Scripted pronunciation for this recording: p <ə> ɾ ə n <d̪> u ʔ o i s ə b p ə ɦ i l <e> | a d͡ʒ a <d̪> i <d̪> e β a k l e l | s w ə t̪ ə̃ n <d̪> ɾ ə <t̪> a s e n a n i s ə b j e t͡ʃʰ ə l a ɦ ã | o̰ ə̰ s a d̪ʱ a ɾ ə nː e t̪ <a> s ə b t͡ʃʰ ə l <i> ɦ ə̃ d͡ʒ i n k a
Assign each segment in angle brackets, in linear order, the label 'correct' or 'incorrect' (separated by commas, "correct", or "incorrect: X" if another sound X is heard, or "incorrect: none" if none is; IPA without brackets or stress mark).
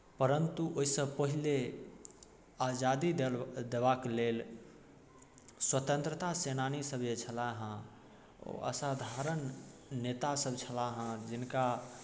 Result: correct, incorrect: t̪, correct, correct, correct, incorrect: t̪, correct, correct, incorrect: a